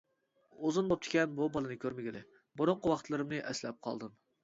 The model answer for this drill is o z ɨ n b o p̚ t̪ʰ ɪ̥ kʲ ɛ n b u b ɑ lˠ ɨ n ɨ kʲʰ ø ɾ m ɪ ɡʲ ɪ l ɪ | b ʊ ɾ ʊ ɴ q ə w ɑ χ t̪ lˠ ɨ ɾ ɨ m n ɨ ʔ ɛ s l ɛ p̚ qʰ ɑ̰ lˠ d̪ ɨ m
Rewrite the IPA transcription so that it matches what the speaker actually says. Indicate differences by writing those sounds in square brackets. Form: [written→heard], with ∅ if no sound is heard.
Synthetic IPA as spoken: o z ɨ n b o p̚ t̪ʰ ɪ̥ kʲ ɛ n b u b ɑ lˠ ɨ n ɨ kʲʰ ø ɾ m ɪ ɡʲ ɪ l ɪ | b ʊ ɾ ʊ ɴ q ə w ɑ χ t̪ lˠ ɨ ɾ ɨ m n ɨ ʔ ɛ s l ɛ p̚ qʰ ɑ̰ lˠ d̪ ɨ m